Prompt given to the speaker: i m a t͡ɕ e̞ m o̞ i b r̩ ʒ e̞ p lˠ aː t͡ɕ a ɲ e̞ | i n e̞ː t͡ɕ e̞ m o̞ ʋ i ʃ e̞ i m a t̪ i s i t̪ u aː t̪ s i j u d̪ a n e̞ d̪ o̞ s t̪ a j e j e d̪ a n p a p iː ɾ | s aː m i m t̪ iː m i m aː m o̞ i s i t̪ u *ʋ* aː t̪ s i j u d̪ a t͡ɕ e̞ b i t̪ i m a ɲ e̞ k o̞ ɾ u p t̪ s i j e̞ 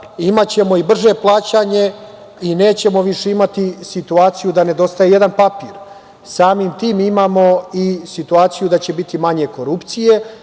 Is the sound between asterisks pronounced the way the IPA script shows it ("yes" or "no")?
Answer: no